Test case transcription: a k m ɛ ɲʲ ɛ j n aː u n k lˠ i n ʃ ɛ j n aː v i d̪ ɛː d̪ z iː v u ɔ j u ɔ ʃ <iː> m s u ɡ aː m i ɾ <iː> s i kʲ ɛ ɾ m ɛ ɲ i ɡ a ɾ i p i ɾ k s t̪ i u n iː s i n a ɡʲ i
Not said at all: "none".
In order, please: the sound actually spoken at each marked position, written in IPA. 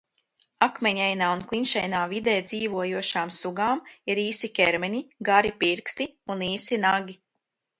aː, iː

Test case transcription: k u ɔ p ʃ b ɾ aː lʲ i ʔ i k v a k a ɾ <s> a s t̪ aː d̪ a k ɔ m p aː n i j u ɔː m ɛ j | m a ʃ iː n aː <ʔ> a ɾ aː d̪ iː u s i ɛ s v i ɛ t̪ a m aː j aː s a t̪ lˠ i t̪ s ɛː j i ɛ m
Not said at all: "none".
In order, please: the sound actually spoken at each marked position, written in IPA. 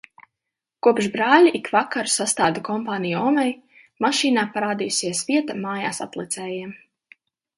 s, p

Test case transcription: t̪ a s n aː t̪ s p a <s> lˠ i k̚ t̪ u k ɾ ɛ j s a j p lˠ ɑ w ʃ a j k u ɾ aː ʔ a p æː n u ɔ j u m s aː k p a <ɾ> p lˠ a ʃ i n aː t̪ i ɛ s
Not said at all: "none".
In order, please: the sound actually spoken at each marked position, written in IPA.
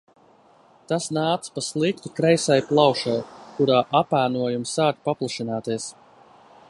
s, none

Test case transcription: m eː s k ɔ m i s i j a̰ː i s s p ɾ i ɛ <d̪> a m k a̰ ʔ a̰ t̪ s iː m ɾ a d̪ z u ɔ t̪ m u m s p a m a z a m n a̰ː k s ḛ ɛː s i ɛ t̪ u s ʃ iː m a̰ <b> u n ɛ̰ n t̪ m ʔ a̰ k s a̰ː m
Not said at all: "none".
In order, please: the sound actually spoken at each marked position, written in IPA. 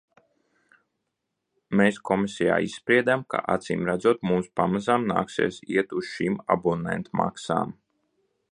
d̪, b

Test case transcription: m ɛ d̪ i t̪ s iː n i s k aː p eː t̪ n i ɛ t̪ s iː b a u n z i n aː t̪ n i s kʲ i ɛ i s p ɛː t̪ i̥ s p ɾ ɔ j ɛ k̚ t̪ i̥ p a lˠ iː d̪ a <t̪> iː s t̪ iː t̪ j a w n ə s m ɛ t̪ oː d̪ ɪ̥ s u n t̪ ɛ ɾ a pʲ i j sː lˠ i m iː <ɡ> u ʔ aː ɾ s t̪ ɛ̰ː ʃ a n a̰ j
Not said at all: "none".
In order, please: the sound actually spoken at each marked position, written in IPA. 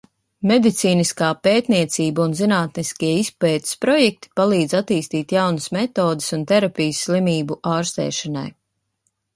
t̪, b

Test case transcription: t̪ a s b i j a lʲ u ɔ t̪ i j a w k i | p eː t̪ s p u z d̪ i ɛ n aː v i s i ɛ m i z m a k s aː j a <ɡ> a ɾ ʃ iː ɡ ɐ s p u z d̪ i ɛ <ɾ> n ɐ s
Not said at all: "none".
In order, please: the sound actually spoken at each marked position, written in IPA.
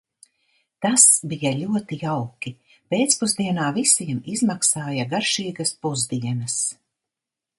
ɡ, none

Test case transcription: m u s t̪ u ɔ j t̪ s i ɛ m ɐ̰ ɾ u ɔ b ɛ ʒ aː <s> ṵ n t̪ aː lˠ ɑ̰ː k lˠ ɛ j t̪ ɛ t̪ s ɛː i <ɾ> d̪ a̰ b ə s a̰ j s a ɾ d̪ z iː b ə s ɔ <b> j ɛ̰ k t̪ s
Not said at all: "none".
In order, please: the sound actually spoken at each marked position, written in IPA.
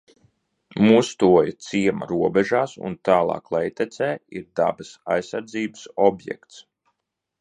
s, ɾ, b

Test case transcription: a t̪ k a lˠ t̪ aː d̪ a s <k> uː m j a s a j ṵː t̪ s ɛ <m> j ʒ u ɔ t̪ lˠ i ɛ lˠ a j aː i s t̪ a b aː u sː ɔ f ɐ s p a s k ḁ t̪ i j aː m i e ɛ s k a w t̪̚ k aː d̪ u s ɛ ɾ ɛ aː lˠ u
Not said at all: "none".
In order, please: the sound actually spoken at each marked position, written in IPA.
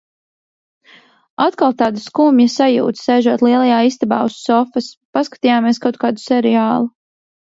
k, none

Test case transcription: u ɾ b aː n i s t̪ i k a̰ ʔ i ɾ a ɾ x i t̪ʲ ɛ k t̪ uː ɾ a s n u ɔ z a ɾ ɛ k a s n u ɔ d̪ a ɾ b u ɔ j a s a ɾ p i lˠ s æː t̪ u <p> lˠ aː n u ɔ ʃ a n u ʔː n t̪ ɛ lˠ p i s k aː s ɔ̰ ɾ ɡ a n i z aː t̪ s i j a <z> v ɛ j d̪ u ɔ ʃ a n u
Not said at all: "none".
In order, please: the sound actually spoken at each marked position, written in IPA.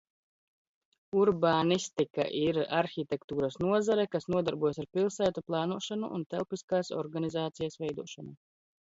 p, s

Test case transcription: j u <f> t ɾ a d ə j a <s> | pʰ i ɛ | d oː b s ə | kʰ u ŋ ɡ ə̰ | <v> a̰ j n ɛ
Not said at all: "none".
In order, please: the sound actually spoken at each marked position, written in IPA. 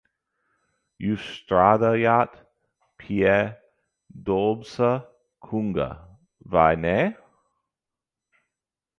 s, t, v

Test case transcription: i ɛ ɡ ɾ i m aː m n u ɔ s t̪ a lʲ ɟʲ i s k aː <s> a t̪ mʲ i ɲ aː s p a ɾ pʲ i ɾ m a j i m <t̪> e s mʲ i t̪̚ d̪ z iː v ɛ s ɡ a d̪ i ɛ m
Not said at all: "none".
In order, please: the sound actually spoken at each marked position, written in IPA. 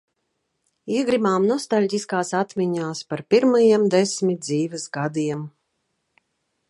s, d̪

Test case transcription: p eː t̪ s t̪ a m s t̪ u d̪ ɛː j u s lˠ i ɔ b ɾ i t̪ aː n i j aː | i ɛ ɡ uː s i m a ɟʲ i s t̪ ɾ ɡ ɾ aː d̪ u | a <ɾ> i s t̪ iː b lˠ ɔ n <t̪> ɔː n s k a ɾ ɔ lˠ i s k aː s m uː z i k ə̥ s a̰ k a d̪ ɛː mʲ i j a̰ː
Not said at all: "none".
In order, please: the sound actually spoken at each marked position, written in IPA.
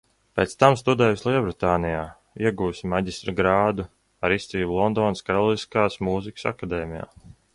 ɾ, d̪

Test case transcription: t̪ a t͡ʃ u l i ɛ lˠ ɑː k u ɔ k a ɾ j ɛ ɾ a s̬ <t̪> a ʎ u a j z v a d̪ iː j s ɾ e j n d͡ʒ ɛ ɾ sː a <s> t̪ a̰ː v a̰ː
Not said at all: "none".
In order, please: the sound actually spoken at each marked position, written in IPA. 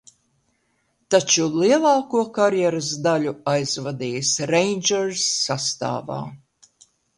d̪, s

